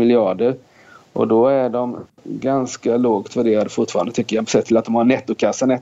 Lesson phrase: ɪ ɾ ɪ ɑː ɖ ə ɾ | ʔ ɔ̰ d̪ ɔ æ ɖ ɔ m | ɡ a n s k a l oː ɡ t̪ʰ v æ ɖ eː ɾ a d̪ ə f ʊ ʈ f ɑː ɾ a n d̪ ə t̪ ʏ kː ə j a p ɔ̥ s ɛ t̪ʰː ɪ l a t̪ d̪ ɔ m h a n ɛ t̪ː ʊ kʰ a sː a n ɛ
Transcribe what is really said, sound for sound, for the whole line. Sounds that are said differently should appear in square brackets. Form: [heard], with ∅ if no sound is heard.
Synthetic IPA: ɪ [l] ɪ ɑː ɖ ə ɾ | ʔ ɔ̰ d̪ ɔ æ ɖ ɔ m | ɡ a n s k a l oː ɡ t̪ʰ v æ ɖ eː ɾ a d̪ ə f ʊ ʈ f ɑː ɾ a n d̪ ə t̪ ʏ kː ə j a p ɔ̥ s ɛ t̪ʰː ɪ l a t̪ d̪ ɔ m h a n ɛ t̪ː ʊ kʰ a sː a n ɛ